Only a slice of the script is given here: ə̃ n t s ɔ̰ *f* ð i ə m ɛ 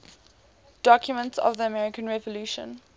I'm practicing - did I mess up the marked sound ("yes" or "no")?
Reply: yes